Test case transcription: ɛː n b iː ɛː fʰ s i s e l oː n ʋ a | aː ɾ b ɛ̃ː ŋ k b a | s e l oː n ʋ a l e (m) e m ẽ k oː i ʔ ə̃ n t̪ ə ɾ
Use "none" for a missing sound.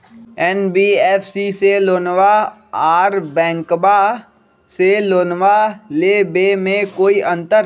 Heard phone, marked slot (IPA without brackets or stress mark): b